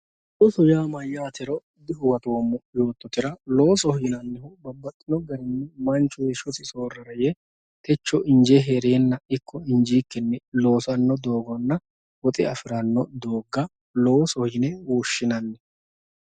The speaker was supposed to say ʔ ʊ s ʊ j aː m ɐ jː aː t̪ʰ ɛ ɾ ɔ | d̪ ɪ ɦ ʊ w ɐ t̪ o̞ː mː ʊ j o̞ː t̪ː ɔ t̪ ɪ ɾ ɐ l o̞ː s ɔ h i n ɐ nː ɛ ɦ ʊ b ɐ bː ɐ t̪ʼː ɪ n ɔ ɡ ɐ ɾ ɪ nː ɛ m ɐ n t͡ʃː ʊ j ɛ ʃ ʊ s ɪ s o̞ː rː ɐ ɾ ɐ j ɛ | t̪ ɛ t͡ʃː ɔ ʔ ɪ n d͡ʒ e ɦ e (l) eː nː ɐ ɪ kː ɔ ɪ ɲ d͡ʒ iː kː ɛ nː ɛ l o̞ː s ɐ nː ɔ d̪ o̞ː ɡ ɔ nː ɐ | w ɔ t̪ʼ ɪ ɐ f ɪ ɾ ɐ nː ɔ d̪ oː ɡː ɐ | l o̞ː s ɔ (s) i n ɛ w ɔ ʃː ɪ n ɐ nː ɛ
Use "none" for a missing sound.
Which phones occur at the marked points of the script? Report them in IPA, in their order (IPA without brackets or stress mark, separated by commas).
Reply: ɾ, h